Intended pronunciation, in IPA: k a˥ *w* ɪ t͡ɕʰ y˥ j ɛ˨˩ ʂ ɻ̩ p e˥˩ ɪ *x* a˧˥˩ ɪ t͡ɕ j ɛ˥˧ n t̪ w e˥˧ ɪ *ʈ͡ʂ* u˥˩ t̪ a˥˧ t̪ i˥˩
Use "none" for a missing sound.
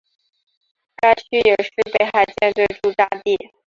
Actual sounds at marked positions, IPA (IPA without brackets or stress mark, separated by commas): none, x, ʈ͡ʂ